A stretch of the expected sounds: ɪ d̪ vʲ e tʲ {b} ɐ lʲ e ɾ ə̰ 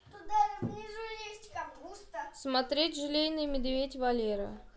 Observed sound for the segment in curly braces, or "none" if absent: v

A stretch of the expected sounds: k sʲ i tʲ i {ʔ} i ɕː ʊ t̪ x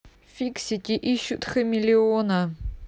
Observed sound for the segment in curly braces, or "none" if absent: ʔ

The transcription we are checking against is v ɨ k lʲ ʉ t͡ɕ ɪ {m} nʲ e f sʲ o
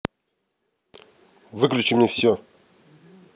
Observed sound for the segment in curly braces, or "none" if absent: m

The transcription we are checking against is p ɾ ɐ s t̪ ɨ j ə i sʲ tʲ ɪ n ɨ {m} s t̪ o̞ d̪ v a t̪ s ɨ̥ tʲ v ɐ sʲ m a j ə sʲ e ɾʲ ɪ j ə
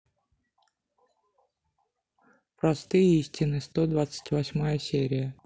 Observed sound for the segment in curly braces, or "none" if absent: none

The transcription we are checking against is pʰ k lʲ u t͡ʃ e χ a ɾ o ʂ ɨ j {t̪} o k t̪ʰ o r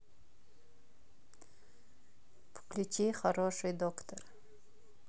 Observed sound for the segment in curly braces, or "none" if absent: d̪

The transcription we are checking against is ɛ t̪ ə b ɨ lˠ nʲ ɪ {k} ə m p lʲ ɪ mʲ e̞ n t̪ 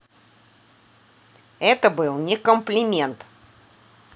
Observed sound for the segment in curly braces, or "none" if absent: k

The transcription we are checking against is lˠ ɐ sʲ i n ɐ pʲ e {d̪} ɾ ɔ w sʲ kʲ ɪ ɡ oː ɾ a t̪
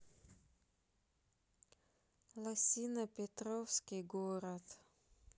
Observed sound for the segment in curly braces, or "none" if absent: t̪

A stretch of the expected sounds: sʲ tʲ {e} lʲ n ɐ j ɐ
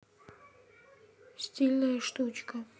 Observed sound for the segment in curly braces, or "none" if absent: i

